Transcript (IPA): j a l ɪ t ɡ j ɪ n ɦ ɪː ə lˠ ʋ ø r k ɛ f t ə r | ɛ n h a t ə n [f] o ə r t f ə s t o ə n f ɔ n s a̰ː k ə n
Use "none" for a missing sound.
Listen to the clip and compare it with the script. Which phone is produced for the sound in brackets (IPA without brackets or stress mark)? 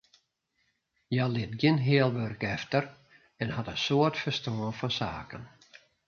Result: s